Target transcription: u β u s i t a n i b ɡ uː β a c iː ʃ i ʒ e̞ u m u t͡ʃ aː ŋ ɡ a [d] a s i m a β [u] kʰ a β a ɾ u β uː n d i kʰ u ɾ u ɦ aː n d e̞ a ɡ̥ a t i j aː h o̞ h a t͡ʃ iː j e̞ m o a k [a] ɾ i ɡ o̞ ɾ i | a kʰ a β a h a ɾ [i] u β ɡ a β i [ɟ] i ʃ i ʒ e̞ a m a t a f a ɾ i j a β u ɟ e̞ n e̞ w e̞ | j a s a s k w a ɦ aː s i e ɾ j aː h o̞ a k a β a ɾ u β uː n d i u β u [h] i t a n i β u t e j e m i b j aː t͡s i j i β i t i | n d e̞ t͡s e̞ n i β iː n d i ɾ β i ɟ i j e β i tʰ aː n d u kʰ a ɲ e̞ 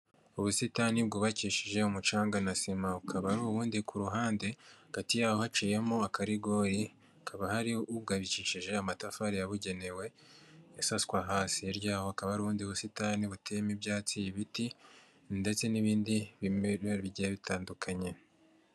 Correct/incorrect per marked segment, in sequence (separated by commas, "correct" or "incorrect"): incorrect, correct, correct, correct, incorrect, incorrect